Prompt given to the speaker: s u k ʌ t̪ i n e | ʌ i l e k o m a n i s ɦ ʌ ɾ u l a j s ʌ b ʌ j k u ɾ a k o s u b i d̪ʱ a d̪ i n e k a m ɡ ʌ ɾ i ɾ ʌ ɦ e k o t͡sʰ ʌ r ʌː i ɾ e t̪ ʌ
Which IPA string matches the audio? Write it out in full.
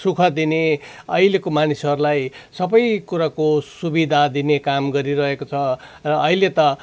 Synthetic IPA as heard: s u kʰ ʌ d̪ i n e | ʌ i l e k o m a n i s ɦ ʌ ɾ u l a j s ʌ b ʌ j k u ɾ a k o s u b i d̪ʱ a d̪ i n e k a m ɡ ʌ ɾ i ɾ ʌ ɦ e k o t͡sʰ ʌ r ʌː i l e t̪ ʌ